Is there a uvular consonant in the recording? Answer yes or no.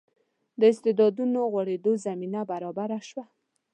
no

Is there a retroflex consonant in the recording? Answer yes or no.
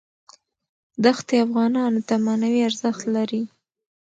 no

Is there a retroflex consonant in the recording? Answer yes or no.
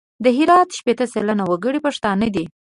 yes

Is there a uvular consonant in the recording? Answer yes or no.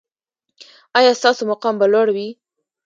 yes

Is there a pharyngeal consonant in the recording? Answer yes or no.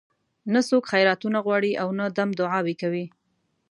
yes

